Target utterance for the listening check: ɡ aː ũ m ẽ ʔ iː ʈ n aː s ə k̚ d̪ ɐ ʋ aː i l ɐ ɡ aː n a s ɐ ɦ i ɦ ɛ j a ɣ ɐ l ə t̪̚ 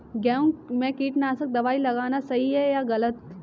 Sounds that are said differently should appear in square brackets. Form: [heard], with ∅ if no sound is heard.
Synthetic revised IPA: ɡ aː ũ m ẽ [k] iː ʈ n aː s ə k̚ d̪ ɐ ʋ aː i l ɐ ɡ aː n a s ɐ ɦ i ɦ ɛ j a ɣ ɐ l ə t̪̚